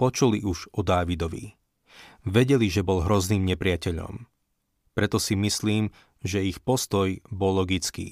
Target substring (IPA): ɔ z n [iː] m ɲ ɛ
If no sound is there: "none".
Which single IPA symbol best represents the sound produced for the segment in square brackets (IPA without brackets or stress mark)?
iː